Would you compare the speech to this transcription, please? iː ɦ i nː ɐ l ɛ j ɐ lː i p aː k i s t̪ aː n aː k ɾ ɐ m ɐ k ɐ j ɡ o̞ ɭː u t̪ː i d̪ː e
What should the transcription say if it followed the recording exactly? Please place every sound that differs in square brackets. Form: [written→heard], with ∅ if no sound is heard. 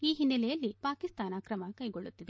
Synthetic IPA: iː ɦ i nː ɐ l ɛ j ɐ lː i p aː k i s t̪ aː n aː k ɾ ɐ m ɐ k ɐ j ɡ o̞ ɭː u t̪ː i [d̪ː→d̪] e